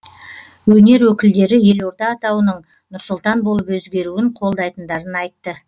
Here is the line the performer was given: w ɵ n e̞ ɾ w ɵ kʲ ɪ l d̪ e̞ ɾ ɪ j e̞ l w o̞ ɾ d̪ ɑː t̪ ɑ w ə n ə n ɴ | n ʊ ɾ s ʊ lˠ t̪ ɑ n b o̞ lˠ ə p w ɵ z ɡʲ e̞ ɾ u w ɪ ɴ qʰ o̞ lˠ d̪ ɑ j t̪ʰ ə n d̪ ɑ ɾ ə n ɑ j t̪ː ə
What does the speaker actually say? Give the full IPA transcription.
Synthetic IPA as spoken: w ɵ n e̞ ɾ w ɵ kʲ ɪ l d̪ e̞ ɾ ɪ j e̞ l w o̞ ɾ t̪ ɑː t̪ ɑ w ə n ə ɴ | n ʊ ɾ s ʊ lˠ t̪ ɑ n b o̞ lˠ ə p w ɵ z ɡʲ e̞ ɾ u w ɪ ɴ qʰ o̞ lˠ d̪ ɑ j t̪ ə n d̪ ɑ ɾ ə n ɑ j t̪ː ə

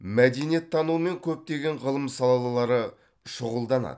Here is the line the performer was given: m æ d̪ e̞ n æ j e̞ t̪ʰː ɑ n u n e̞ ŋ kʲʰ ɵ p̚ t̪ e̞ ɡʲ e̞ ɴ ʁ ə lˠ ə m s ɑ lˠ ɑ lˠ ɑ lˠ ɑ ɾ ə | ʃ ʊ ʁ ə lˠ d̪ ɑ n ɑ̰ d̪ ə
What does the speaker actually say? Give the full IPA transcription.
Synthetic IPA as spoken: m æ d̪ e̞ n i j e̞ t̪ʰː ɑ n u m e̞ ŋ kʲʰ ɵ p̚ t̪ e̞ ɡʲ e̞ ɴ ʁ ə lˠ ə m s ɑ lˠ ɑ lˠ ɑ lˠ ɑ ɾ ə | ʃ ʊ ʁ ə lˠ d̪ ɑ n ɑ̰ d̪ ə

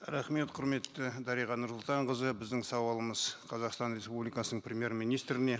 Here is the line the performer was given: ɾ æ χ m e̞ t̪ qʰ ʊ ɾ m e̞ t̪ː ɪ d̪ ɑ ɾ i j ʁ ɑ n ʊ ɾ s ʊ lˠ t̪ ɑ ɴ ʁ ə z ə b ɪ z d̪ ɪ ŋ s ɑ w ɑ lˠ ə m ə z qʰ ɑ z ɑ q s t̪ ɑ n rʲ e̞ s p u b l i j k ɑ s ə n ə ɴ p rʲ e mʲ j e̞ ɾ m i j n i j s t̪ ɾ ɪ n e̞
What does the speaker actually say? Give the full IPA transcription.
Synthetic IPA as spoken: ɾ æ χ m e̞ t̪ qʰ ʊ ɾ m e̞ t̪ː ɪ d̪ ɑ ɾ i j ʁ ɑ n ʊ ɾ s ʊ lˠ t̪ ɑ ɴ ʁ ə z ə b ɪ z d̪ ɪ ŋ s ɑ w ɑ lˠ ə m ə z qʰ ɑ z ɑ q s t̪ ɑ n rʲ e̞ s p u b l i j k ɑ s ə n ə ɴ p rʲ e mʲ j e̞ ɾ m i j n i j s t̪ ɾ ɪ n e̞

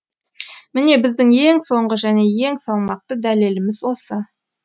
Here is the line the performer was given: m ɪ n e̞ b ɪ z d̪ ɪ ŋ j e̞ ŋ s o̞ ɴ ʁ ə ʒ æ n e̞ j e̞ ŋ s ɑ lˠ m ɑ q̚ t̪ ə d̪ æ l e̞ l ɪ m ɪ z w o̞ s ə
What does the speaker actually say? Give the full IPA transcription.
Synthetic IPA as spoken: m ɪ n e̞ b ɪ z d̪ ɪ ŋ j e̞ ŋ s o̞ ɴ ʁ ə ʒ æ n e̞ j e̞ ŋ s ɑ lˠ m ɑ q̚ t̪ ə d̪ æ l e̞ l ɪ m ɪ z w o̞ s ə

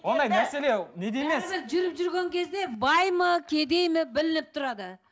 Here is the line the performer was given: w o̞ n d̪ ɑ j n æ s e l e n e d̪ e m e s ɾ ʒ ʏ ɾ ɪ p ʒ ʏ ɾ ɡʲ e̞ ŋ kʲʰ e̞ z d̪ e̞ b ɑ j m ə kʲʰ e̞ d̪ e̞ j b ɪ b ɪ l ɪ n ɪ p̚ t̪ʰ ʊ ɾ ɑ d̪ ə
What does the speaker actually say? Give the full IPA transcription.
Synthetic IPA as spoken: w o̞ n d̪ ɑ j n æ s e l e n e d̪ e m e s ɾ ʒ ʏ ɾ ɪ p ʒ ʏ ɾ ɡʲ e̞ ŋ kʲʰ e̞ z d̪ e̞ b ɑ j m ə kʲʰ e̞ d̪ e̞ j m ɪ b ɪ l ɪ n ɪ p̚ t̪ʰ ʊ ɾ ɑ d̪ ə

